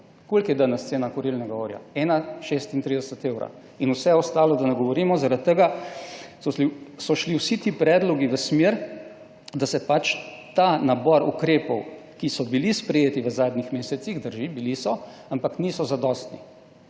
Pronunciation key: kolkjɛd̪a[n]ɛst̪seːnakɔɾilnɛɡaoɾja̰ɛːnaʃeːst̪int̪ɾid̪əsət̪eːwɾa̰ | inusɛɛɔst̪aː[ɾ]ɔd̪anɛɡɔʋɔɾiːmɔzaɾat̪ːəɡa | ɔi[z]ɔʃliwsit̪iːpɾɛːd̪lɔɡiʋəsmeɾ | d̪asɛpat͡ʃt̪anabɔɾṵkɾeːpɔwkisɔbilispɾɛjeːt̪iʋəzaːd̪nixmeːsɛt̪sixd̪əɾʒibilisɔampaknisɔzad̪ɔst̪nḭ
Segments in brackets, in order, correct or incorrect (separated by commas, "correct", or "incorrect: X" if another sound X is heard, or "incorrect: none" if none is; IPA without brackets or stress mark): correct, incorrect: l, incorrect: s